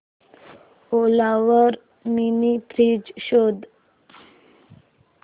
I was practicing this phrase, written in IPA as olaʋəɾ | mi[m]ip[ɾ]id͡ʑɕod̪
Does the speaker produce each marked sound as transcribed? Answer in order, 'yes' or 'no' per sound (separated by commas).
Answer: no, yes